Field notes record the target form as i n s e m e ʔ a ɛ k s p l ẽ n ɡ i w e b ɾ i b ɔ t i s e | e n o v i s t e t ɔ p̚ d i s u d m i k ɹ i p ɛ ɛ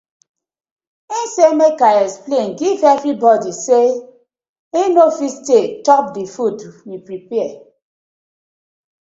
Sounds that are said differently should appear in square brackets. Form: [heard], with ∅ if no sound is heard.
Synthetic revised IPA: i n s e m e [k] a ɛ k s p l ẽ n ɡ i [v] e [v] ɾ i b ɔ [d] i s e | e n o [f] i s t e t ɔ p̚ d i [f] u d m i [p] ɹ i p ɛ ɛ